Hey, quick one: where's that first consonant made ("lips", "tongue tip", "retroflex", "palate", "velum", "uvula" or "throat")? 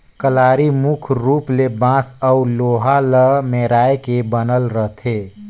velum